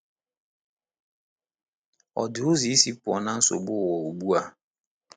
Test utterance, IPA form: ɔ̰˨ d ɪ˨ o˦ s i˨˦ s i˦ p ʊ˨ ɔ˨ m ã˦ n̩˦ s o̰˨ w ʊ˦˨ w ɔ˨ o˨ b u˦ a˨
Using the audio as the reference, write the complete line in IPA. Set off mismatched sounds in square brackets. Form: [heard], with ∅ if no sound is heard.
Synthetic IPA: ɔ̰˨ d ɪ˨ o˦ [z] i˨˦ s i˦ p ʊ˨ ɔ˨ [n] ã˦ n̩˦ s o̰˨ [b] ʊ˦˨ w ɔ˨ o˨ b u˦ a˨